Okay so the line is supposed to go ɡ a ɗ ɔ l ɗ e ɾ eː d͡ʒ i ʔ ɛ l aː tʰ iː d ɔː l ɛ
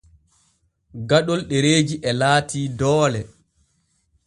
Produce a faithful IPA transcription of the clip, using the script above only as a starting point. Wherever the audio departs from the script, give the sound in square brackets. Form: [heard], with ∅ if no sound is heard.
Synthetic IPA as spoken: ɡ a ɗ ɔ l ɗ e ɾ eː d͡ʒ i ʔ ɛ l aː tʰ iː d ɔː l ɛ